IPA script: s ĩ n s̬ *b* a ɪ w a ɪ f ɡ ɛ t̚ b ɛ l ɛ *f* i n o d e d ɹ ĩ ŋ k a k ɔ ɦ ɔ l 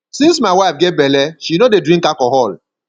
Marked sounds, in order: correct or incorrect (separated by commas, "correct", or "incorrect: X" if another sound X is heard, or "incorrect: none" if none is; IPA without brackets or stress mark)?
incorrect: m, incorrect: ʃ